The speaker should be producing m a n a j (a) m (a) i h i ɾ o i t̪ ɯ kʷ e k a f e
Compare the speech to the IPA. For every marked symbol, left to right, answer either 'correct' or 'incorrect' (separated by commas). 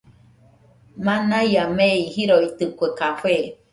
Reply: correct, incorrect